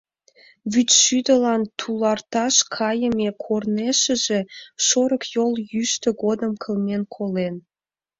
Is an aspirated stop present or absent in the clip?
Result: present